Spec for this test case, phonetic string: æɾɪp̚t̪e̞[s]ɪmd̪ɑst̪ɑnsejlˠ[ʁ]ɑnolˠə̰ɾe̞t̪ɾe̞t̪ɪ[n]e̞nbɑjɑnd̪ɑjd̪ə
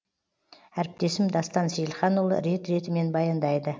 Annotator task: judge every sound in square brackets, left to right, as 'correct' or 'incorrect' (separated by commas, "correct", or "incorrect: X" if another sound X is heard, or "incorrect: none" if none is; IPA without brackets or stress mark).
correct, incorrect: χ, incorrect: m